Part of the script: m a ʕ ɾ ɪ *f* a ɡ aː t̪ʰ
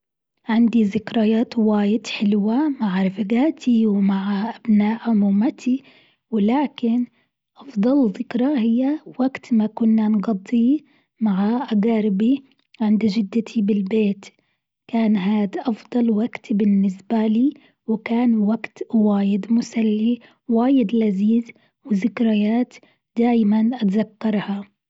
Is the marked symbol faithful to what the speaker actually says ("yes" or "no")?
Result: yes